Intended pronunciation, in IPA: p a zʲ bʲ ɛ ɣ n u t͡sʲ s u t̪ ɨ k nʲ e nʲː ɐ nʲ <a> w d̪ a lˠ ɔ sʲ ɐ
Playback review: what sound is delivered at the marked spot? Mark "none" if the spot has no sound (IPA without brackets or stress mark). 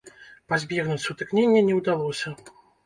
ɛ